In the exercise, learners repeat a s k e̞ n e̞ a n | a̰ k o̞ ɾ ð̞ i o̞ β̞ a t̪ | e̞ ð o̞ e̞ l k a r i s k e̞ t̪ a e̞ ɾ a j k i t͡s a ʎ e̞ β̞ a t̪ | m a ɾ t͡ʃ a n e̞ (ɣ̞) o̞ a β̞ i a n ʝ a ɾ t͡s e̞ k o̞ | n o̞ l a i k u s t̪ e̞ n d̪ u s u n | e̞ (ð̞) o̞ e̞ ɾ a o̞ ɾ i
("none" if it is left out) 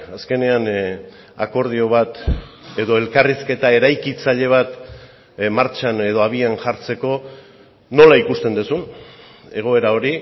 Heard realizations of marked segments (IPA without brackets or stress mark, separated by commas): ð̞, ɣ̞